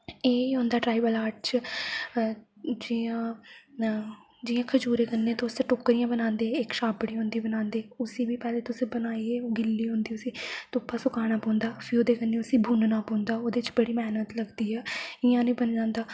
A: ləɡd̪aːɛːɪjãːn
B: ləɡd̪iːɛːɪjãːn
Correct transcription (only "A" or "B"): B